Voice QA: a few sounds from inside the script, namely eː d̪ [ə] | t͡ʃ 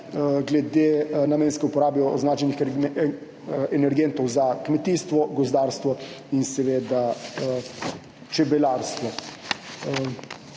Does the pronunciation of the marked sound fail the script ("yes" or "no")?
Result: yes